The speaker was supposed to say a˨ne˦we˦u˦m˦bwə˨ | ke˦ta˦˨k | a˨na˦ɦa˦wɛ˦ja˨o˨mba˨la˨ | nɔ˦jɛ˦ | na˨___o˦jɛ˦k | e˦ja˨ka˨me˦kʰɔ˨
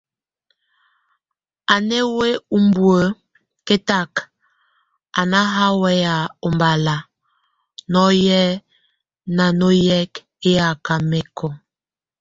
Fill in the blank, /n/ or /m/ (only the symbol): n